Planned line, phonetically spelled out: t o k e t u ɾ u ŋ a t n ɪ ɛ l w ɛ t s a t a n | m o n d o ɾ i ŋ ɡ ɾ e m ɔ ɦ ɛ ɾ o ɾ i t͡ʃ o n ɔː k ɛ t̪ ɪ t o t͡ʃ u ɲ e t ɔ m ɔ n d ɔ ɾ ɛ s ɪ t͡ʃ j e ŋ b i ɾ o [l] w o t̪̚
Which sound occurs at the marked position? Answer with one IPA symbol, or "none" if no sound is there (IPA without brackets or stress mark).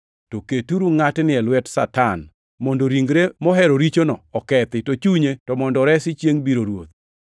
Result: ɾ